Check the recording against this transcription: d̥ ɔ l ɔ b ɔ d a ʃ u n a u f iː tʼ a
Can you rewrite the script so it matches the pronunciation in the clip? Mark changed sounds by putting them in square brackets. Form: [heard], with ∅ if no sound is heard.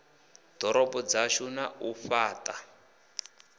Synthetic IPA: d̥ ɔ [ɾ] ɔ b ɔ [d͡z] a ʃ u n a u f [aː] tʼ a

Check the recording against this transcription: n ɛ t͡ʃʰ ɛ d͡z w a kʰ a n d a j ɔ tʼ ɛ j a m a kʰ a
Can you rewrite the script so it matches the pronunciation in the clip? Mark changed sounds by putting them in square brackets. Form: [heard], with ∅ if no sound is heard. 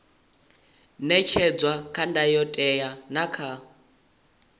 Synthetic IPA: n ɛ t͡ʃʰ ɛ d͡z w a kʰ a n d a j ɔ tʼ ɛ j a [n] a kʰ a

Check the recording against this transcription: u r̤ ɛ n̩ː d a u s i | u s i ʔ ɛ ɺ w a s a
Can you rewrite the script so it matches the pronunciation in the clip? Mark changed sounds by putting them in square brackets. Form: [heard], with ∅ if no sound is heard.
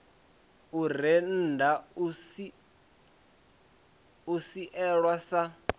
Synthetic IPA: u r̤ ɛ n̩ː d a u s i | u s i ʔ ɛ ɺ w a s a

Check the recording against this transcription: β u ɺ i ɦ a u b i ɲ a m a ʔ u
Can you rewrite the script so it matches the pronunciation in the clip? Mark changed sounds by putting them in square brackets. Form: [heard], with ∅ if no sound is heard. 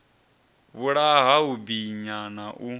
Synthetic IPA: β u ɺ [a] ɦ a u b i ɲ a [n] a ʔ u

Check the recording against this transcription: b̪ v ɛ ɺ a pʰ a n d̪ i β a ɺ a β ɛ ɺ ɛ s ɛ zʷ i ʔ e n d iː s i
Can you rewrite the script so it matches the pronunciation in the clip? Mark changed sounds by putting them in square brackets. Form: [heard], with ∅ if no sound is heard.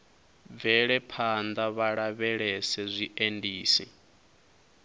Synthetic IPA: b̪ v ɛ ɺ [ɛ] pʰ a n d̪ [a] β a ɺ a β ɛ ɺ ɛ s ɛ zʷ i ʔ e n d iː s i

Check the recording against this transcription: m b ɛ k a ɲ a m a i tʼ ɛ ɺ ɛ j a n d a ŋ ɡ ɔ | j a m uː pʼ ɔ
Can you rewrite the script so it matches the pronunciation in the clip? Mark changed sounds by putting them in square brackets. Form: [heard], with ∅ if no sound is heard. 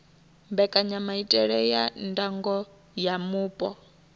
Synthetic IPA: m b ɛ [kʼ] a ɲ a m a i tʼ ɛ ɺ ɛ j a n d a ŋ ɡ ɔ | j a m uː pʼ ɔ

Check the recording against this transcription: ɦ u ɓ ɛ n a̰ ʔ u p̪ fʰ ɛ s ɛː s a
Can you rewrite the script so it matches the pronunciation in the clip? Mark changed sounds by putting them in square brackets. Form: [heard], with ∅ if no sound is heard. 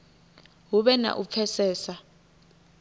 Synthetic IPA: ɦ u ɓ ɛ n a̰ ʔ u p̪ fʰ ɛ s ɛː s a

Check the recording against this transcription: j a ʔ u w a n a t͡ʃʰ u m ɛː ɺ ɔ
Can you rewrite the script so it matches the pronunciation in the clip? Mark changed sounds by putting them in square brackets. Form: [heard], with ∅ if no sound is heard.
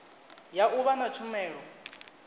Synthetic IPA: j a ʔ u [β] a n a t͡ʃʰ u m ɛː ɺ ɔ

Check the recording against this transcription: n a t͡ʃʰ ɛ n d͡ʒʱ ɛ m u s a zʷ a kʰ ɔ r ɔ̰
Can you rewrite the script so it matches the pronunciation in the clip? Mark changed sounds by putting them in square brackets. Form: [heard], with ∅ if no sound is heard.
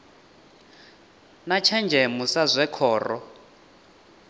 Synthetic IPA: n a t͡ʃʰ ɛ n d͡ʒʱ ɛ m u s a zʷ [ɛ] kʰ [ɔː] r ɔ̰

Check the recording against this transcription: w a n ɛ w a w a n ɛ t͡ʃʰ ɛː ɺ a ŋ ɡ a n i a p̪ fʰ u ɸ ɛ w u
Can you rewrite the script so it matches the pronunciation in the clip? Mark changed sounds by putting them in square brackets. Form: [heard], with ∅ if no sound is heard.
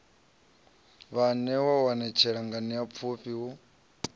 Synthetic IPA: [β] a n ɛ w a w a n ɛ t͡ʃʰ [ɛ] ɺ a ŋ ɡ a n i a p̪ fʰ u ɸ [i] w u

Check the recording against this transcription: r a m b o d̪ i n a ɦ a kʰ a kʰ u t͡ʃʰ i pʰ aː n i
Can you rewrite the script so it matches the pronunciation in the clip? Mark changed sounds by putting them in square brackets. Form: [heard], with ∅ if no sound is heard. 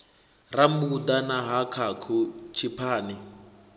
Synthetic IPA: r a m b [u] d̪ [a] n a ɦ a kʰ a kʰ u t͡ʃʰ i pʰ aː n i

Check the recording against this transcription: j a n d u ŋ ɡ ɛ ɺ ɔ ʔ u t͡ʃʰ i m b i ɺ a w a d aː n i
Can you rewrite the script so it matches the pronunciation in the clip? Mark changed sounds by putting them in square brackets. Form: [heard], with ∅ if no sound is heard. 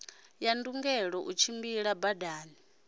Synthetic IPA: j a n d u ŋ ɡ ɛ ɺ ɔ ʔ u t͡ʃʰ i m b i ɺ a [b] a d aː n i

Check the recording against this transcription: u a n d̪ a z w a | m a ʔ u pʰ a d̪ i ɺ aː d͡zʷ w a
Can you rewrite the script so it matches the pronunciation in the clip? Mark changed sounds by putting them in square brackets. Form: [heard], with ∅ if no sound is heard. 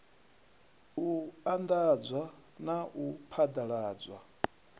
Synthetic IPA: u a n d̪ a [d͡z] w a | [n] a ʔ u pʰ a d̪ [a] ɺ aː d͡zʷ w a

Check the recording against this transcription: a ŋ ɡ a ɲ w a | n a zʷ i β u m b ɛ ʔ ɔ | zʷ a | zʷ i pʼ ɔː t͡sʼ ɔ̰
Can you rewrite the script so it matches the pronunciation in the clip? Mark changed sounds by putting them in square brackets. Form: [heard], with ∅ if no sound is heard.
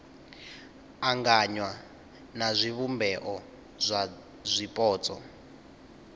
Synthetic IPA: a ŋ ɡ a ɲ w a | n a zʷ i β u m b ɛ ʔ ɔ | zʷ a | zʷ i pʼ ɔː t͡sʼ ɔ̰

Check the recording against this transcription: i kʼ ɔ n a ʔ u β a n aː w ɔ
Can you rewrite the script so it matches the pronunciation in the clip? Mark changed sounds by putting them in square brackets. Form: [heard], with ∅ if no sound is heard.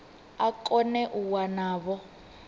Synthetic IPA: [a] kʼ ɔ n [ɛ] ʔ u [w] a n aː [β] ɔ

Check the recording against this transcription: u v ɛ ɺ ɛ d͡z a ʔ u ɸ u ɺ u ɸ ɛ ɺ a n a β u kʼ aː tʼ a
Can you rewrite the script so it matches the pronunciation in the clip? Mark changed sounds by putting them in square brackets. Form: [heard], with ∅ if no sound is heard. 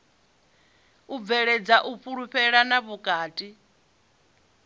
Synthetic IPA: u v ɛ ɺ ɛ d͡z a ʔ u ɸ u ɺ u ɸ ɛ ɺ a n a β u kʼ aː tʼ [i]

